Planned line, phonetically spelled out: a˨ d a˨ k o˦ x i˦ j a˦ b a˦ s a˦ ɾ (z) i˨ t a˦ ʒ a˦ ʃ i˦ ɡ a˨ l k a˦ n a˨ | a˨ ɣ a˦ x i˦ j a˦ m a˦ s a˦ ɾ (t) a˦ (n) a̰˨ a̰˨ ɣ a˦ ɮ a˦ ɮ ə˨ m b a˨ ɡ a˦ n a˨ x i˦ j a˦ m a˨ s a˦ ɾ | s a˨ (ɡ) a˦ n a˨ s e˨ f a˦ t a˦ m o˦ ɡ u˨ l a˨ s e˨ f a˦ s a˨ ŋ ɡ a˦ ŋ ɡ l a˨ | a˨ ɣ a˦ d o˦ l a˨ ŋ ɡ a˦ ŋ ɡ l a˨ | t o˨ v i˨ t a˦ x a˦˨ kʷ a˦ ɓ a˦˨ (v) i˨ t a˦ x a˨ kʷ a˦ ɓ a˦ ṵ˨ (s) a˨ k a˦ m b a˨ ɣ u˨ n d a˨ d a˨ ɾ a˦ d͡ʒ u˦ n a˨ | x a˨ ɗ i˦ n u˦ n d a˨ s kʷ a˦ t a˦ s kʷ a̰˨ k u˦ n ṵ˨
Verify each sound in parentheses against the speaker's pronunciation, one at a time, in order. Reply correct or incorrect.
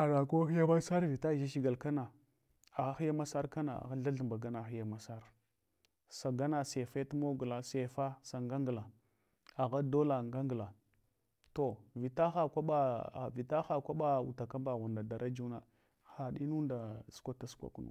incorrect: v, incorrect: k, correct, correct, correct, incorrect: t

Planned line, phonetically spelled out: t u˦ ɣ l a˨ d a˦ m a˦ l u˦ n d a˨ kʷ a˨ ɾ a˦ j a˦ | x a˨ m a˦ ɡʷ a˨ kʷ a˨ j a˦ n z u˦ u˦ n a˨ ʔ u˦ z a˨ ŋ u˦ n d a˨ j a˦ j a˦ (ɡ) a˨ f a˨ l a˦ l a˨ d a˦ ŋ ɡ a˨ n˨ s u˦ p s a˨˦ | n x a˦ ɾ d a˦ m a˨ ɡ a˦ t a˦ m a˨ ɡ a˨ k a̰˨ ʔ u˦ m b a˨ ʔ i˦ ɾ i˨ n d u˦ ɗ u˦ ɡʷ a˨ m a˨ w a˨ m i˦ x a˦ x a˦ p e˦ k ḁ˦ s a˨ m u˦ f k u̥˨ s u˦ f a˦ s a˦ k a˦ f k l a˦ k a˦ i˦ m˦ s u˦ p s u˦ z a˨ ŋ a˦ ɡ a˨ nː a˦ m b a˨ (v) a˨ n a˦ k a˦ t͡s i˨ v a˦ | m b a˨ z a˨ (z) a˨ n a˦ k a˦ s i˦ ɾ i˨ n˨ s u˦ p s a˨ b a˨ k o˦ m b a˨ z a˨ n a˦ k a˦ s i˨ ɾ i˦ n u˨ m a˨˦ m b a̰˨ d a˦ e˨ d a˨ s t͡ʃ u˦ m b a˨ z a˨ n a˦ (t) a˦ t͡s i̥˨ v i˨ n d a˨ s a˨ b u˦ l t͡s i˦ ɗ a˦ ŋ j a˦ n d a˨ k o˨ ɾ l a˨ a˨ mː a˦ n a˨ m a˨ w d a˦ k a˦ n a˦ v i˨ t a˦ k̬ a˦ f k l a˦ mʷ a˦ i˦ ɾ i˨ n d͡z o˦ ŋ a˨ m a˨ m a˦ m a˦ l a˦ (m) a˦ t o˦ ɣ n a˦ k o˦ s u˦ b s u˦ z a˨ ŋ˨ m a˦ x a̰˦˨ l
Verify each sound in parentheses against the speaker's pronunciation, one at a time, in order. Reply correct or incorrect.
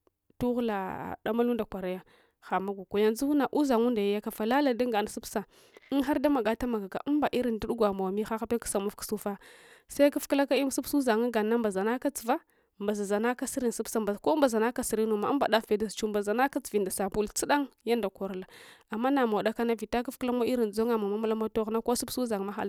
incorrect: k, incorrect: z, correct, incorrect: k, correct

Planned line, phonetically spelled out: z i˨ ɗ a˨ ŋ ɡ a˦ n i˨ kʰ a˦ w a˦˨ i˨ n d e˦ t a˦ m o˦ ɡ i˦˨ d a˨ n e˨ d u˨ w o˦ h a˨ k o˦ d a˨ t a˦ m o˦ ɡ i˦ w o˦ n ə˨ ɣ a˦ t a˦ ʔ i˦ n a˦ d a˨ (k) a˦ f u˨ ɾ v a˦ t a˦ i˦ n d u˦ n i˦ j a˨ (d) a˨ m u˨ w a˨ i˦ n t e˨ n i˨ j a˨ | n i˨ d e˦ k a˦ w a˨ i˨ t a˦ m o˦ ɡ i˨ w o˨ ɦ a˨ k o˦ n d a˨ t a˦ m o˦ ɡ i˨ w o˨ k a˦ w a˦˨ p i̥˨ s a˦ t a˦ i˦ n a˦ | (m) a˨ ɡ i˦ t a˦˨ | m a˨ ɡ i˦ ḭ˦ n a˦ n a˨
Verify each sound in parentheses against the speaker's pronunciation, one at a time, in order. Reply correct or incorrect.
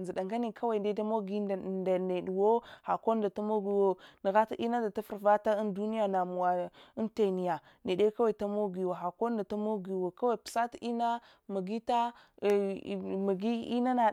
incorrect: t, incorrect: n, correct

